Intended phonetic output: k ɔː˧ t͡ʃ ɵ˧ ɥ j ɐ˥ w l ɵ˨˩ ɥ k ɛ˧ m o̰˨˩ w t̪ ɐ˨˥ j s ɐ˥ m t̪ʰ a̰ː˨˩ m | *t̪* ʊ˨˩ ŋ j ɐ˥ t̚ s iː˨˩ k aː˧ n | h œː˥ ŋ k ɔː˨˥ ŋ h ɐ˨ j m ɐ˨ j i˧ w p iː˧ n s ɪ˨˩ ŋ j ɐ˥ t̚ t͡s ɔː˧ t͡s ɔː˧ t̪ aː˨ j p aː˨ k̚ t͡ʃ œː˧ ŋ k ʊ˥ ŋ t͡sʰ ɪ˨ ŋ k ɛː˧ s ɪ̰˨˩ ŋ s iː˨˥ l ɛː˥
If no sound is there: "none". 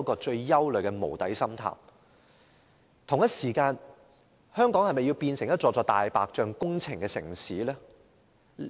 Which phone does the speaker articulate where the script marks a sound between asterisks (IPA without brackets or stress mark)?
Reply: t̪ʰ